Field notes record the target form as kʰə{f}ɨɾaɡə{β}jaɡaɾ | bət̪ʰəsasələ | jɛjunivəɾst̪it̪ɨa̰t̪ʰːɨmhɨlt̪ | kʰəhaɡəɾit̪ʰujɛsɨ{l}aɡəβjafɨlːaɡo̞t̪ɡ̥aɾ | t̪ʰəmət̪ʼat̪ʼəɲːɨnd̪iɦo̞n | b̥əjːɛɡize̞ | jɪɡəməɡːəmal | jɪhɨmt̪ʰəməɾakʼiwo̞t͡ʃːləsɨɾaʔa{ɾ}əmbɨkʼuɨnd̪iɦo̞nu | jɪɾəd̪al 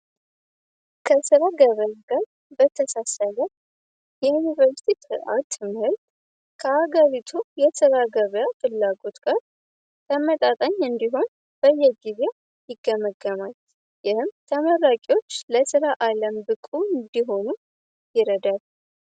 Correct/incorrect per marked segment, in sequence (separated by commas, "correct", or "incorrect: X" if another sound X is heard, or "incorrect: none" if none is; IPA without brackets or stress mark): incorrect: s, correct, incorrect: ɾ, incorrect: l